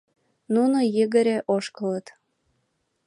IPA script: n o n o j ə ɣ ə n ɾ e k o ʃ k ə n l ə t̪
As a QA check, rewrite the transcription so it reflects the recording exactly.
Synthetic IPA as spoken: n u n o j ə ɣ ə ɾ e ʔ o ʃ k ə l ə t̪